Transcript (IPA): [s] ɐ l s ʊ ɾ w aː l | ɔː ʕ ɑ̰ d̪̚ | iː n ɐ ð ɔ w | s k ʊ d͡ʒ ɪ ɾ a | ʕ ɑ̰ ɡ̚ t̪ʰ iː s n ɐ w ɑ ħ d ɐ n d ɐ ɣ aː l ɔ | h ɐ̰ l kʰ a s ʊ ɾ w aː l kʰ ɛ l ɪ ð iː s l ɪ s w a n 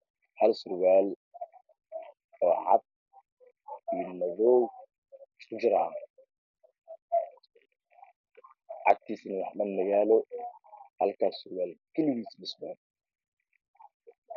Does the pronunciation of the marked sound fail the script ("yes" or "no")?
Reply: yes